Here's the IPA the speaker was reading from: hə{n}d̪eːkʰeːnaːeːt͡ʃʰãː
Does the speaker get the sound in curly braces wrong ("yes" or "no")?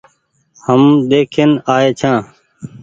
yes